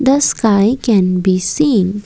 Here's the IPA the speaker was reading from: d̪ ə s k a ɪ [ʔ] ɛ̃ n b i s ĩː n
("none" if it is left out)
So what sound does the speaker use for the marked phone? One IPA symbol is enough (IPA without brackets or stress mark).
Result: k